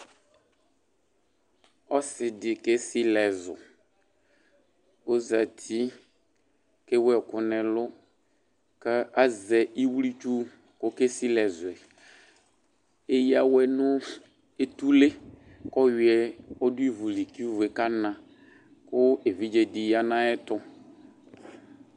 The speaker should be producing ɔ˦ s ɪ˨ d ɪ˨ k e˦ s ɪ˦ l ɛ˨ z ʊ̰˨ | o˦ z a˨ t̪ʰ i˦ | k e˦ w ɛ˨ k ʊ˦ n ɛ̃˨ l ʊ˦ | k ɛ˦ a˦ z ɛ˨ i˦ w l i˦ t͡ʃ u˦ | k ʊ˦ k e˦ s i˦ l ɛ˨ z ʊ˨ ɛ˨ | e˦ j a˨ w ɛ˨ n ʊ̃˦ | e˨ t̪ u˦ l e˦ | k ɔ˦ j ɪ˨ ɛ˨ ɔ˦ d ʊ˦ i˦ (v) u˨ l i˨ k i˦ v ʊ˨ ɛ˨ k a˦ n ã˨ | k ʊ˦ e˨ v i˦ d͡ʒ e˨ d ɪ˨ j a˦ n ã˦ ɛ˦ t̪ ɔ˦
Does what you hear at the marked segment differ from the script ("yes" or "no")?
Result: no